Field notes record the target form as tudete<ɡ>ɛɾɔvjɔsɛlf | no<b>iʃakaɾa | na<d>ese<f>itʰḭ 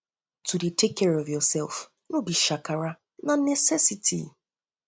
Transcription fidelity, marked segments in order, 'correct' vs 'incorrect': incorrect, correct, incorrect, incorrect

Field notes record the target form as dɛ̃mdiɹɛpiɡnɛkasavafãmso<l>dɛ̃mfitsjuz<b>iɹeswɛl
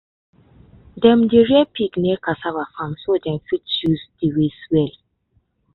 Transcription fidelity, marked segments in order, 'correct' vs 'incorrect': incorrect, incorrect

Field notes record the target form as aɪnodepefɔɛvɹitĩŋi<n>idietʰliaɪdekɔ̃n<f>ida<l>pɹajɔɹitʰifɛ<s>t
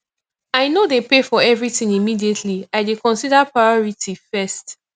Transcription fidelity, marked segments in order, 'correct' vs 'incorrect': incorrect, incorrect, incorrect, correct

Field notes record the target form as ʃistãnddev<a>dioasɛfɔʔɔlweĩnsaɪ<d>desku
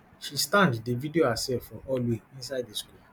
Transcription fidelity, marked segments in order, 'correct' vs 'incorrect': incorrect, correct

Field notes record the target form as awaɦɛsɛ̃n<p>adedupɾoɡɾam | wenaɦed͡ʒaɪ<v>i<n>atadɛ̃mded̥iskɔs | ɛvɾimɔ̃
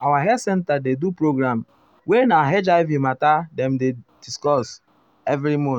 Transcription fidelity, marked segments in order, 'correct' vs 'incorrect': incorrect, correct, incorrect

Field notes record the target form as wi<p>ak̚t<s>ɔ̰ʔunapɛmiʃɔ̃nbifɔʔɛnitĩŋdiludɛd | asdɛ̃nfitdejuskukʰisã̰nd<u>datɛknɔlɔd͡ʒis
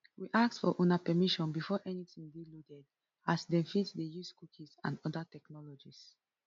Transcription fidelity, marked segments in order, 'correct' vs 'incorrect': incorrect, incorrect, incorrect

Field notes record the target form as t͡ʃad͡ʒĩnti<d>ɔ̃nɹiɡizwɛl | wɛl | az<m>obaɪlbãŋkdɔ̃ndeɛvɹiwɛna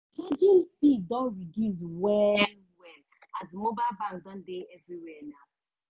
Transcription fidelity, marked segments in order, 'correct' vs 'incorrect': correct, correct

